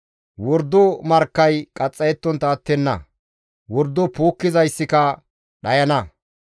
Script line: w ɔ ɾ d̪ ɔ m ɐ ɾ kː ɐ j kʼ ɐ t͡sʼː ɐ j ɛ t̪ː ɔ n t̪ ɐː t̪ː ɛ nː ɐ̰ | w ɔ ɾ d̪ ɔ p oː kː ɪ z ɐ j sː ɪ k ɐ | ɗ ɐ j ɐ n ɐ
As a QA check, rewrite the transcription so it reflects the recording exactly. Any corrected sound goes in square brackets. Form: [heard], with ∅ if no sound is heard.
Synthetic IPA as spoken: w ɔ ɾ d̪ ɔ m ɐ ɾ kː ɐ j kʼ ɐ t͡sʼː ɐ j ɛ t̪ː ɔ n t̪ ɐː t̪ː ɛ nː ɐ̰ | w ɔ ɾ d̪ ɔ p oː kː ɪ z ɐ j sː ɪ k ɐ | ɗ ɐ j ɐ n ɐ